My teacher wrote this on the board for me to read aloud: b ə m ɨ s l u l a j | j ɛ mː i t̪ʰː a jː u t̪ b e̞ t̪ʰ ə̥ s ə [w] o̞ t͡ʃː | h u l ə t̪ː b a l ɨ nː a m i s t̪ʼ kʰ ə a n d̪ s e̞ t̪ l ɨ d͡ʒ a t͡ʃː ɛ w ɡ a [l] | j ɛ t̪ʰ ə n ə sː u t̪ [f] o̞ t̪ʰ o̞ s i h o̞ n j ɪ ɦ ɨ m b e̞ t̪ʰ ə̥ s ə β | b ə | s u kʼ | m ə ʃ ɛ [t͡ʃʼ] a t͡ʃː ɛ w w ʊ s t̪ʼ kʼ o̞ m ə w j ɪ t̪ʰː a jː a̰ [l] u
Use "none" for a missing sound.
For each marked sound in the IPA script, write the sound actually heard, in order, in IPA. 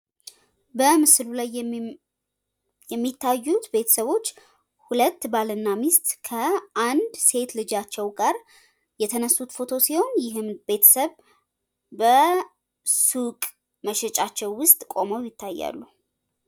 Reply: β, ɾ, f, t͡ʃʼ, lː

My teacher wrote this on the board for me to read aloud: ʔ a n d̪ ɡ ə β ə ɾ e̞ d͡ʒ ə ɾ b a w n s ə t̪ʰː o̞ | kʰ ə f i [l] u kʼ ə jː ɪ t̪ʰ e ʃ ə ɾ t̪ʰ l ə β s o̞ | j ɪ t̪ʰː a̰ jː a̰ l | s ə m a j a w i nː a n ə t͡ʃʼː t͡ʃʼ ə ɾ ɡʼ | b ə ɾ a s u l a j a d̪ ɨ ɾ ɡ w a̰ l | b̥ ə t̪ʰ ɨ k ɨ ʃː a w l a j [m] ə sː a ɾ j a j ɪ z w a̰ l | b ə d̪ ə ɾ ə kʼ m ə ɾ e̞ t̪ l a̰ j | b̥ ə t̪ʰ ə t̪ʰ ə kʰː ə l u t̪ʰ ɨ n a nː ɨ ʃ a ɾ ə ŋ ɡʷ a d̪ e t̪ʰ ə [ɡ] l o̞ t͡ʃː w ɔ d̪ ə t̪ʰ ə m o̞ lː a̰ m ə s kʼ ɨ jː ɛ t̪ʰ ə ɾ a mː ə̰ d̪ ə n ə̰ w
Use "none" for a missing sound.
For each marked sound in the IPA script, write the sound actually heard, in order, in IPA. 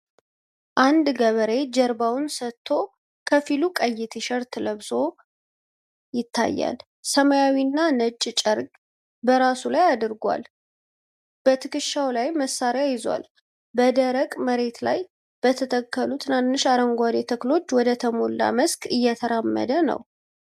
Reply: l, m, k

